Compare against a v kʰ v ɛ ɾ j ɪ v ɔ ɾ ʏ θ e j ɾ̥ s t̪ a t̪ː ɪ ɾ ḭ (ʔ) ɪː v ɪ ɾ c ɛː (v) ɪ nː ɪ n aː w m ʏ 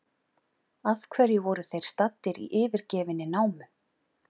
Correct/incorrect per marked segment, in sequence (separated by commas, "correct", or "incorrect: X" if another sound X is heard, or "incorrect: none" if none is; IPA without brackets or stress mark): correct, correct